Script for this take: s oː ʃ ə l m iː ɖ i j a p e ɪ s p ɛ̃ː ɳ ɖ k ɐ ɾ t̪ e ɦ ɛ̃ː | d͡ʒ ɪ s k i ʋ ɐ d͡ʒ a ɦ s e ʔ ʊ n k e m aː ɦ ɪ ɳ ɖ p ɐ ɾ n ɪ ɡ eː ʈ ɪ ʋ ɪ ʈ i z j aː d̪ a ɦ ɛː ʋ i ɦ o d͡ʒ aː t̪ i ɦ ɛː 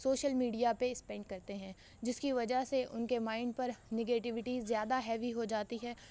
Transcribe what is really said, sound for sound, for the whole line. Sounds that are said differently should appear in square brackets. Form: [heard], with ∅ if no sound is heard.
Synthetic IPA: s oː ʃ ə l m iː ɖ i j a p e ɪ s p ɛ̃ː ɳ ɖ k ɐ ɾ t̪ e ɦ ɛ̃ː | d͡ʒ ɪ s k i ʋ ɐ d͡ʒ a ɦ s e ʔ ʊ n k e m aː [∅] ɪ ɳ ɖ p ɐ ɾ n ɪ ɡ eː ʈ ɪ ʋ ɪ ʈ i z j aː d̪ a ɦ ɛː ʋ i ɦ o d͡ʒ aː t̪ i ɦ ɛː